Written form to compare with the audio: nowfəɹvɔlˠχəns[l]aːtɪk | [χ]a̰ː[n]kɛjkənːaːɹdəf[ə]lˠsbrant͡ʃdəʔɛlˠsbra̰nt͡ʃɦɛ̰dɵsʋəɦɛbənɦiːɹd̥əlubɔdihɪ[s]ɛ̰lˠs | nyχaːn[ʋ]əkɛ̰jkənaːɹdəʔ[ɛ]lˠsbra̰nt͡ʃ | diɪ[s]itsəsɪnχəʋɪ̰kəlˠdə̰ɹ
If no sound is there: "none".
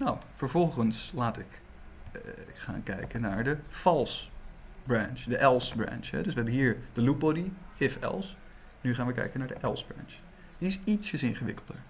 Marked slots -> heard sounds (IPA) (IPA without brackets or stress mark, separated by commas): l, χ, n, ɑ, f, ʋ, ɛ, s